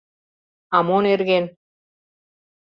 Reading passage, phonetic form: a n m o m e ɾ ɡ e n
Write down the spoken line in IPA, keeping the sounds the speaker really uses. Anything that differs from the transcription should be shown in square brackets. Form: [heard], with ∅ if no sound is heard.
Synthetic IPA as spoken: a [∅] m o [n] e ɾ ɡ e n